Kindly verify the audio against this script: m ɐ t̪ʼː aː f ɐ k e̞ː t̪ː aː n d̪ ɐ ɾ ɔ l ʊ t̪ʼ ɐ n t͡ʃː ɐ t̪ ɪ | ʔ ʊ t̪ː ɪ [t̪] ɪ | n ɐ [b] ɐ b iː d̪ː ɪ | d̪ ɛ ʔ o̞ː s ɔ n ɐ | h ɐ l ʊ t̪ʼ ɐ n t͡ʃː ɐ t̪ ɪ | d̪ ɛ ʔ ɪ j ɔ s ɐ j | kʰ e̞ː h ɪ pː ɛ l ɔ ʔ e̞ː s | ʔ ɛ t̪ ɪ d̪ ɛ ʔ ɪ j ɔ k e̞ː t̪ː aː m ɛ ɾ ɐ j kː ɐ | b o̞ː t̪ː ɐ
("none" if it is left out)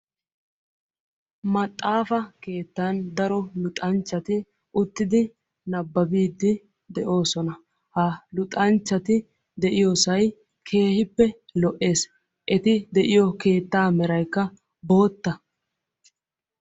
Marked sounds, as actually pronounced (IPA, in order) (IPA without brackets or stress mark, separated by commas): d̪, bː